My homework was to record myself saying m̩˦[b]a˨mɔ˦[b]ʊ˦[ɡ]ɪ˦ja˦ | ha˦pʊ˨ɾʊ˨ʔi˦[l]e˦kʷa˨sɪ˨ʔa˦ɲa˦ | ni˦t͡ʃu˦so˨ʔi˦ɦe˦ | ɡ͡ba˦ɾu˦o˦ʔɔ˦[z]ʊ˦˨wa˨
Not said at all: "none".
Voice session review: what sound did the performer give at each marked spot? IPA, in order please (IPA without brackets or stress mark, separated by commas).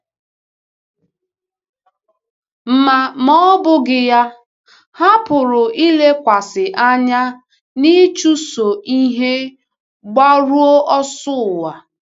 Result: m, b, ɡ, l, s